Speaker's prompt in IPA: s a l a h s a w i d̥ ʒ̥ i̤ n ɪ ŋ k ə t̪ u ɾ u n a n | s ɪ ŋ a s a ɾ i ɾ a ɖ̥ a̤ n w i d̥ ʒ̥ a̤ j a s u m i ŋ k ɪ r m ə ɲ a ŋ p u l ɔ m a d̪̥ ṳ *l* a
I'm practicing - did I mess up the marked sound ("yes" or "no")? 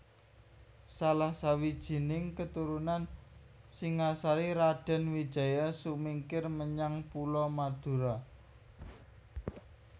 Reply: yes